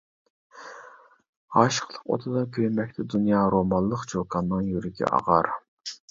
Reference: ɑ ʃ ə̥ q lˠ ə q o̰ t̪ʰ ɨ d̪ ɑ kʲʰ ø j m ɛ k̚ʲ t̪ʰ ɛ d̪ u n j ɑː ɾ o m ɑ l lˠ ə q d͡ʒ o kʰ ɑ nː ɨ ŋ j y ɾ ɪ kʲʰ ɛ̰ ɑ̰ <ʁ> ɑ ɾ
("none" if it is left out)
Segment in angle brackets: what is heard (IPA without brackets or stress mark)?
ʁ